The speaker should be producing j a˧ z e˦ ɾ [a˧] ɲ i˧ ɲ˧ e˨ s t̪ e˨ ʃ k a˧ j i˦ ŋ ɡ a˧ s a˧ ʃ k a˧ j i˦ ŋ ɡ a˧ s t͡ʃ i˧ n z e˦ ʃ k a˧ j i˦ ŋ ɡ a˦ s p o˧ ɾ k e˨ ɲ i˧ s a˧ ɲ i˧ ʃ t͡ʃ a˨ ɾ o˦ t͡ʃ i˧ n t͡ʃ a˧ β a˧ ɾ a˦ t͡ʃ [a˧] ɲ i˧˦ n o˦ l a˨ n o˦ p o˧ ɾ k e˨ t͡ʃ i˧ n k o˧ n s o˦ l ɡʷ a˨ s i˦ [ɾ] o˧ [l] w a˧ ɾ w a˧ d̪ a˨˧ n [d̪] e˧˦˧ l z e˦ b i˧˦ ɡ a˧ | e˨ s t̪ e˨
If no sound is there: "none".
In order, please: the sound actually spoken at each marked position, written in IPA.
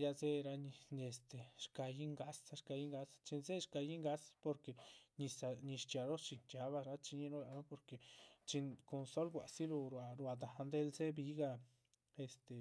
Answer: a˧, i˧, l, ɾ, d̪

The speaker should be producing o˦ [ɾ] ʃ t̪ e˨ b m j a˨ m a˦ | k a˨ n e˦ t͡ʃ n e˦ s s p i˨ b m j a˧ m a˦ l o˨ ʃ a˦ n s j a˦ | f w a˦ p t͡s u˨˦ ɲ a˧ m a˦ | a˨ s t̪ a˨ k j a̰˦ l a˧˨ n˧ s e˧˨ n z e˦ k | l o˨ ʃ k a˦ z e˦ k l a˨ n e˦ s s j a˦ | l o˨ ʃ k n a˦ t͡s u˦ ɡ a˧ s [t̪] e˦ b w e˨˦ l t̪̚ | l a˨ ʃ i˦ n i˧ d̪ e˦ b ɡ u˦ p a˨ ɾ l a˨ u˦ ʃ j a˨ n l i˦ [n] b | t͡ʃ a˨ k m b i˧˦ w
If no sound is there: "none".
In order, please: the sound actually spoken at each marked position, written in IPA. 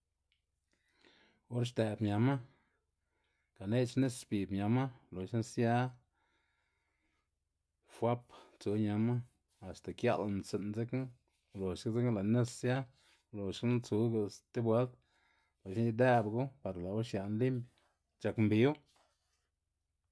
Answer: ɾ, t̪, m

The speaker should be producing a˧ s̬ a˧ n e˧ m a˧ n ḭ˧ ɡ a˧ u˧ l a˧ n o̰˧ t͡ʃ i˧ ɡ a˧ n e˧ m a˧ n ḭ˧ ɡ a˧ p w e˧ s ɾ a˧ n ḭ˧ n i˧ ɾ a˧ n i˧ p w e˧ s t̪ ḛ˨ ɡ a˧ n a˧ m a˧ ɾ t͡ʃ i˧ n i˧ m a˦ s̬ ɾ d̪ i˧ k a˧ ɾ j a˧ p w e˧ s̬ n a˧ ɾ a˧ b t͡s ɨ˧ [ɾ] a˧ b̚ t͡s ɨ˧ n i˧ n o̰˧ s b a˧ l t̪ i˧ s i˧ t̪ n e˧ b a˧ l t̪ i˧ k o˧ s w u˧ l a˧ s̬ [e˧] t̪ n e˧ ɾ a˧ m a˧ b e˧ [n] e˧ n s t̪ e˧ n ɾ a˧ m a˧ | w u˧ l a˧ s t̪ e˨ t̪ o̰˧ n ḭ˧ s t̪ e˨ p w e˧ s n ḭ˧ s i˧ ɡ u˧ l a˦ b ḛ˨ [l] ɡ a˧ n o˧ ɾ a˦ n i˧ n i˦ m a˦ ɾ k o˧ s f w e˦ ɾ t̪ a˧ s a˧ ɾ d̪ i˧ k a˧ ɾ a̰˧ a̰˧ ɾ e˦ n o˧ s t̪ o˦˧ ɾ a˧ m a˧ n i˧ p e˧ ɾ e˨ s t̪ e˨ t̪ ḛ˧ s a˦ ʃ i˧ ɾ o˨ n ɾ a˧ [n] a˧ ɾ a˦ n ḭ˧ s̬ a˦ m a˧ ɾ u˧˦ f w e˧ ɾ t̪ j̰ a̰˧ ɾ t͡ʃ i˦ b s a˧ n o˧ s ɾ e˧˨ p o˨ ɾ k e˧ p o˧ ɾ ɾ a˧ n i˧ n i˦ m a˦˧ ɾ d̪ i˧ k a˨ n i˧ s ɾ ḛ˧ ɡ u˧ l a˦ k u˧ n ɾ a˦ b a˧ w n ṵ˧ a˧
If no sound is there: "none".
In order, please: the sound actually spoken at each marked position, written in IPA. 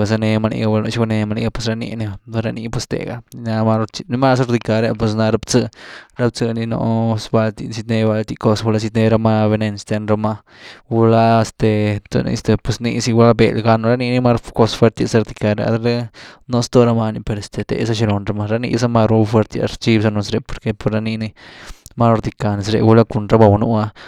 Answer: ɾ, i˧, n, l, m

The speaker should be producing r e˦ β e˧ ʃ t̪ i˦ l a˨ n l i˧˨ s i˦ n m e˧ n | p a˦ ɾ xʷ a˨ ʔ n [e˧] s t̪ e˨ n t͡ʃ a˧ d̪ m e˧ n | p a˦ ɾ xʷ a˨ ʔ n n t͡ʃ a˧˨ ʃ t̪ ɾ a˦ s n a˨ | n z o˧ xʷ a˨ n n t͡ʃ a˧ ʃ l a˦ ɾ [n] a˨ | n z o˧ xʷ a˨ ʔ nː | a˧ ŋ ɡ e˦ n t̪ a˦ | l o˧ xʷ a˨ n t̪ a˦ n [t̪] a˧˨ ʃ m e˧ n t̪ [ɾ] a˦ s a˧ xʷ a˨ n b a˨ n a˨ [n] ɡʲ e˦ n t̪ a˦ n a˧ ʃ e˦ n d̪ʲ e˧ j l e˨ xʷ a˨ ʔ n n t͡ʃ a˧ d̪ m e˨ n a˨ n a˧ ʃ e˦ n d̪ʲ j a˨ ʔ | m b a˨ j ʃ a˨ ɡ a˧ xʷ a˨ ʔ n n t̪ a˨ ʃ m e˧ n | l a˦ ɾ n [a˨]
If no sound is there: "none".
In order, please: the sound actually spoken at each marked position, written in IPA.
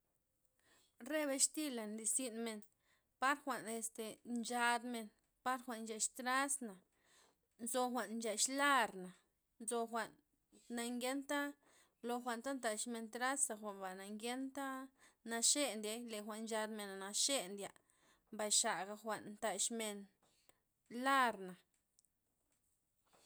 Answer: e˧, n, t̪, ɾ, ŋ, a˨

